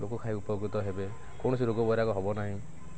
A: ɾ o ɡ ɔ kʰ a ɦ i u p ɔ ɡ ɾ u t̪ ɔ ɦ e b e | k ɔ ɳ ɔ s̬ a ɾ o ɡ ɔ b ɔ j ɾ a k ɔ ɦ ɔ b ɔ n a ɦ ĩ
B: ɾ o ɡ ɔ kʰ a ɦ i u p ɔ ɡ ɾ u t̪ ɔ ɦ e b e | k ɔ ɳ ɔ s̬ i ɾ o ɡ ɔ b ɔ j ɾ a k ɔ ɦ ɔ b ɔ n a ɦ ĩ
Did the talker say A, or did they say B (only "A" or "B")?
B